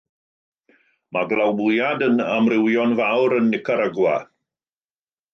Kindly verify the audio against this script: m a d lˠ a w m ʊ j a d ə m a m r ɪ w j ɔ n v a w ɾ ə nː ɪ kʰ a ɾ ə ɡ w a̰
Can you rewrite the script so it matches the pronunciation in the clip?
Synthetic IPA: m a ɡ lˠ a w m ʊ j a d ə n a m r ɪ w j ɔ n v a w ɾ ə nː ɪ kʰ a ɾ ə ɡ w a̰